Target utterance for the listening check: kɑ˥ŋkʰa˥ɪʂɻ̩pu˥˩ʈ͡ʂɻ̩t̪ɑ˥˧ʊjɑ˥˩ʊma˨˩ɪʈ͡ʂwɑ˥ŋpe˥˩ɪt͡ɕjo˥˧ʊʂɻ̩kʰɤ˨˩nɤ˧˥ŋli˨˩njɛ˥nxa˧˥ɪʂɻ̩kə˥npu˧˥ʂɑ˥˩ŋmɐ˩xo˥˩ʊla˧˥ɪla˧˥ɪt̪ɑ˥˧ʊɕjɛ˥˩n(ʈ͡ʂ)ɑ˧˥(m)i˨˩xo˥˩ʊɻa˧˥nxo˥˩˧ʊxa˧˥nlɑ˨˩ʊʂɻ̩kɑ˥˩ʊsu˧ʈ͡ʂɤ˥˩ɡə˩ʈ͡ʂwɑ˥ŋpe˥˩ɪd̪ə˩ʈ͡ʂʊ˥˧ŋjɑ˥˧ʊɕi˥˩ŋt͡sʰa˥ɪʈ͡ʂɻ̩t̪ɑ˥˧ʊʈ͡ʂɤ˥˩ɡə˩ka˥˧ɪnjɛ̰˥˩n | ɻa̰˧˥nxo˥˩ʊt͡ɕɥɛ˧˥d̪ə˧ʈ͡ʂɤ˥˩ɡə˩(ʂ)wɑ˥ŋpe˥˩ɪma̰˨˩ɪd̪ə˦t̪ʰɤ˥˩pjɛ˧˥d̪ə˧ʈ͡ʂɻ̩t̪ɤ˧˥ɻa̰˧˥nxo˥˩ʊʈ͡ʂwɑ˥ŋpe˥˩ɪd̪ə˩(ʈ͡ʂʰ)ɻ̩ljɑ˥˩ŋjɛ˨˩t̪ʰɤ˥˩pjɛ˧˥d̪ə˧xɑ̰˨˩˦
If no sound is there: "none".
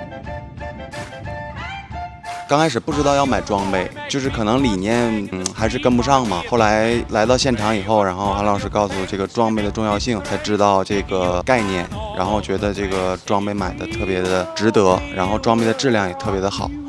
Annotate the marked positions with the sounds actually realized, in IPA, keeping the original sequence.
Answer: ʈ͡ʂʰ, ŋ, ʈ͡ʂ, ʈ͡ʂ

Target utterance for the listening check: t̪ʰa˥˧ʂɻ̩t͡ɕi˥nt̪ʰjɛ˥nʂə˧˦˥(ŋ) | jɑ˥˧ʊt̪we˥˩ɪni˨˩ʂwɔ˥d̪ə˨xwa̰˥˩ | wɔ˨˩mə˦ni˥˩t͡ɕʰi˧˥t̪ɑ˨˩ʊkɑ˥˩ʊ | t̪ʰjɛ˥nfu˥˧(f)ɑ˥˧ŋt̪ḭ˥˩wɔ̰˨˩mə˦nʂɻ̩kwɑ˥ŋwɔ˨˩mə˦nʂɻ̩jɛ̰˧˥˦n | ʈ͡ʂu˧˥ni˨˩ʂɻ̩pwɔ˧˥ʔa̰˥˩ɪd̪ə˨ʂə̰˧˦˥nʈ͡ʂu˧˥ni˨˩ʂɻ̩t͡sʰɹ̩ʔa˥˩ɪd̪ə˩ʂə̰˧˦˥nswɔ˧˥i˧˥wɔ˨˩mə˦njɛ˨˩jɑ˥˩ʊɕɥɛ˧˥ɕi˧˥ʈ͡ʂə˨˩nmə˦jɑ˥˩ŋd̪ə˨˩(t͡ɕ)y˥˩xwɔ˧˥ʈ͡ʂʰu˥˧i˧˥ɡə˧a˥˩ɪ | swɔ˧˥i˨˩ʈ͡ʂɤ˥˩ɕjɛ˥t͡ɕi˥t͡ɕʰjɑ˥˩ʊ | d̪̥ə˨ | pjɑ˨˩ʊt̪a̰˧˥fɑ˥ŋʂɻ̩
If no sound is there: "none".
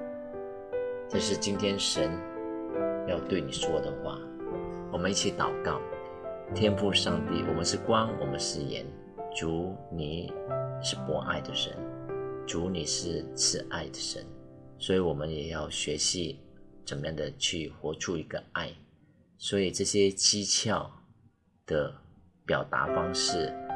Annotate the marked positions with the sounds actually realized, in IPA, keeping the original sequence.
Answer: n, ʂ, t͡ɕʰ

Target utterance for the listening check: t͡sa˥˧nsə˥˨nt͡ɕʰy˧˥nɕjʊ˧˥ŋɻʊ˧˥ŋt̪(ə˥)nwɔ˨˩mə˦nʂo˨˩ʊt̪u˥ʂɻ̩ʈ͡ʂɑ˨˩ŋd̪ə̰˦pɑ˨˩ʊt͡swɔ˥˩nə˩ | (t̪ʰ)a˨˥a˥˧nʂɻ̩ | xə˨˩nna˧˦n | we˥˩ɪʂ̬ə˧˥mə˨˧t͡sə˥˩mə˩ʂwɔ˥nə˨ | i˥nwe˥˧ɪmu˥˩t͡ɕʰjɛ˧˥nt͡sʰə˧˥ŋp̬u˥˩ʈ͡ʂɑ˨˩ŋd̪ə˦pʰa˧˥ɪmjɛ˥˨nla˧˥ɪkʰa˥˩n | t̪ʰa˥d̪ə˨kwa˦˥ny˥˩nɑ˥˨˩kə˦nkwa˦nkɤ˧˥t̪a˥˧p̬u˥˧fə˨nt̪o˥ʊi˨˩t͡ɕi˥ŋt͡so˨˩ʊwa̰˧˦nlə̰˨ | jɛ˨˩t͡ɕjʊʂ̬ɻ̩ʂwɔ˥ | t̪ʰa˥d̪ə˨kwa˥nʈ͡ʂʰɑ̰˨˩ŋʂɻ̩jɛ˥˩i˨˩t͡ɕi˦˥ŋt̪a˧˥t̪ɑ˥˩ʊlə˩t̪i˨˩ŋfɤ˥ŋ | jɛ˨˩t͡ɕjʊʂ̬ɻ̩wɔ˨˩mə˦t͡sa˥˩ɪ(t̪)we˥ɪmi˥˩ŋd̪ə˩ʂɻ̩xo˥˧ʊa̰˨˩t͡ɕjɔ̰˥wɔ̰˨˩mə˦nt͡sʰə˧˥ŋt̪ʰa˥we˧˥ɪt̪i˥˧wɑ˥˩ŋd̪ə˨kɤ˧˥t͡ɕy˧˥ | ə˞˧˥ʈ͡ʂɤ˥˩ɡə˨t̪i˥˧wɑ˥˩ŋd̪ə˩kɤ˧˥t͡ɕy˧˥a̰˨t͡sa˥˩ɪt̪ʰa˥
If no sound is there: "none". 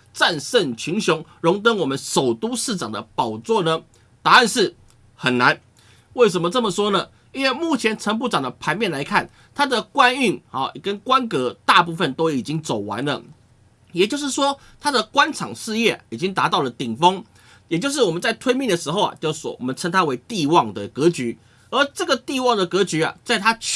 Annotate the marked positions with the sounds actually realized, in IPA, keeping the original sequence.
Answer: ə˥, t̪, t̪ʰ

